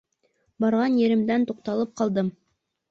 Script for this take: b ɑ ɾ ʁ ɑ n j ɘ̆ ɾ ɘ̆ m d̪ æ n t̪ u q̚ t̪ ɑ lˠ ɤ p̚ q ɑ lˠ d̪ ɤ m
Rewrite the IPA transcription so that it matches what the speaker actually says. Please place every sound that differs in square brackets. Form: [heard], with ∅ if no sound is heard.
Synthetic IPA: b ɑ ɾ ʁ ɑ n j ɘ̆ ɾ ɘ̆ m d̪ æ n t̪ u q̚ t̪ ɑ lˠ ɤ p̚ q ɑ lˠ d̪ ɤ m